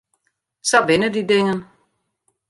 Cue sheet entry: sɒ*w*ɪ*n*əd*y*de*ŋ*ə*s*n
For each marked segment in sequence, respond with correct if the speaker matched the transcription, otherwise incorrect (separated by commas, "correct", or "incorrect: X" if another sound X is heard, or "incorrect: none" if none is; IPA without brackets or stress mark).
incorrect: ʋ, correct, incorrect: i, correct, incorrect: none